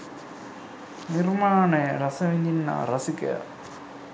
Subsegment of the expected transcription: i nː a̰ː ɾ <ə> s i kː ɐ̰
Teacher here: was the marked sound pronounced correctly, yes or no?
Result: no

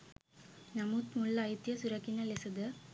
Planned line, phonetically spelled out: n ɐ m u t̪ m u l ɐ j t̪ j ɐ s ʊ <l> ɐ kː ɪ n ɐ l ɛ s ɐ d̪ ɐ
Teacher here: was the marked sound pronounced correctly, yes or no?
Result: no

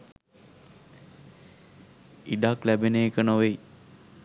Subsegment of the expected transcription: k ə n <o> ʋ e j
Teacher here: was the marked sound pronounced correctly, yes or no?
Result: yes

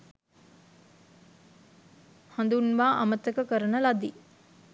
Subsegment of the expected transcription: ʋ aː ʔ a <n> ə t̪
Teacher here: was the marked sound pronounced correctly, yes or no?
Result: no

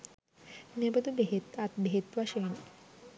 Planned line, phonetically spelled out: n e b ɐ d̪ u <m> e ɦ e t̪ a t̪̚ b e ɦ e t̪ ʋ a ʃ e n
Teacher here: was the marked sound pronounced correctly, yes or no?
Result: no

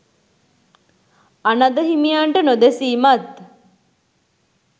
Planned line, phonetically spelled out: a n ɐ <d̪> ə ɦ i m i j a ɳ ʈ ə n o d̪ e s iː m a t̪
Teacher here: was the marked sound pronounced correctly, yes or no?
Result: yes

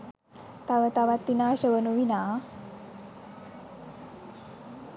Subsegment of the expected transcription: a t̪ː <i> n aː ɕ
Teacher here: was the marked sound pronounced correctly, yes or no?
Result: yes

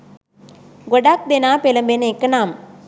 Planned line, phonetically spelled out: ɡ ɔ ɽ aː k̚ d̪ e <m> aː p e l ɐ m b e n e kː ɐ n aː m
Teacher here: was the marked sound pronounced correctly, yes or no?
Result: no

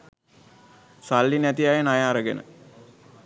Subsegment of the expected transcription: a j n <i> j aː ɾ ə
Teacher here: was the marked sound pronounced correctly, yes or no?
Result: no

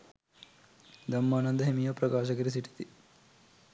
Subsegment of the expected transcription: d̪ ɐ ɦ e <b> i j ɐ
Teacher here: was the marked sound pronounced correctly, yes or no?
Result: no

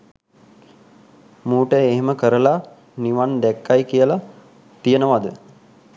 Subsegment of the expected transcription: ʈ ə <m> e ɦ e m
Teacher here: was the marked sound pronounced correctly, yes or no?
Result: no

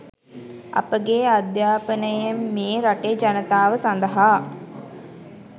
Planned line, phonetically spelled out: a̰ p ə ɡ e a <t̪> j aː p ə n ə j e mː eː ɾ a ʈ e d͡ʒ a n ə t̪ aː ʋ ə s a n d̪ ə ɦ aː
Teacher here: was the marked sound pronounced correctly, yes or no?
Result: no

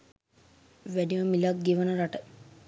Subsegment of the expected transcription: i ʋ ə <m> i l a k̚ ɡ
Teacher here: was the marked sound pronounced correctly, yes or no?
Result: yes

